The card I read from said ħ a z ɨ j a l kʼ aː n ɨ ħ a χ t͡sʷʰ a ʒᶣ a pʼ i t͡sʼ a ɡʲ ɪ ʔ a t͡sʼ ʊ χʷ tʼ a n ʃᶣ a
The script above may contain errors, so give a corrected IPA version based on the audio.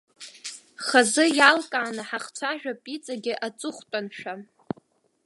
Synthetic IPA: χ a z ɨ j a l kʼ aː n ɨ ħ a χ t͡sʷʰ a ʒᶣ a pʼ i t͡sʼ a ɡʲ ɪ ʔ a t͡sʼ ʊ χʷ tʼ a n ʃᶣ a